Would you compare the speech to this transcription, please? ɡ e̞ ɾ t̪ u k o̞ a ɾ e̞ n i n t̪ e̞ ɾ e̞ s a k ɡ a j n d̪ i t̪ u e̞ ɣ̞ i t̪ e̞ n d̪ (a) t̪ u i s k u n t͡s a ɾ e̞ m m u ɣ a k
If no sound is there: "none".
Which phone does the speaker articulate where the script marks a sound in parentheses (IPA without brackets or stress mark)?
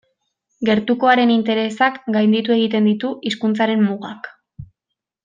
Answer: i